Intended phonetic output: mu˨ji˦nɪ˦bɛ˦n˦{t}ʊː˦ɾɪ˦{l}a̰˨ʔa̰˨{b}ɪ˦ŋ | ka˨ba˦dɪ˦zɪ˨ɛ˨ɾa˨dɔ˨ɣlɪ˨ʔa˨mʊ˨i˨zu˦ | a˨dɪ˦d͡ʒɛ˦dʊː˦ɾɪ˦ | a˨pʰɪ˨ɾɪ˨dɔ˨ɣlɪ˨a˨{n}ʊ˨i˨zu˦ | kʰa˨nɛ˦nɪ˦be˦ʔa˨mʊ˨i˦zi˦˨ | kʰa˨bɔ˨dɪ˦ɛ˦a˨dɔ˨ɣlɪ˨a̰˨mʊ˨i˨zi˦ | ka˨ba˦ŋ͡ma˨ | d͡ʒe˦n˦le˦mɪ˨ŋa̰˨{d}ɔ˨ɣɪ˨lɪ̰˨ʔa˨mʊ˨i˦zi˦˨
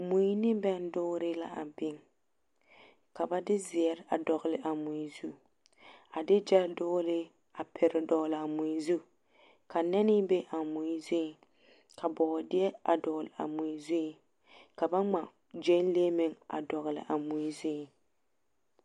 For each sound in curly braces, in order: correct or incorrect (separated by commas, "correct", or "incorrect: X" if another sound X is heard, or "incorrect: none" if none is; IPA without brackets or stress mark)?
incorrect: d, correct, correct, incorrect: m, correct